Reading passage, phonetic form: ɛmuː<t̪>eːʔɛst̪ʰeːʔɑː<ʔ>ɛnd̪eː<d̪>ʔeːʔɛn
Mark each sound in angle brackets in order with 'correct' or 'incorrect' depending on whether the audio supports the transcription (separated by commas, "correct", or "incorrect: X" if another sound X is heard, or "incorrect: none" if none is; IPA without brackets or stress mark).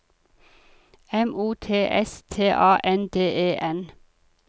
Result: incorrect: t̪ʰ, correct, incorrect: none